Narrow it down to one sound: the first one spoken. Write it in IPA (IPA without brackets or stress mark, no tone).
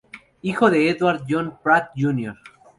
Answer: i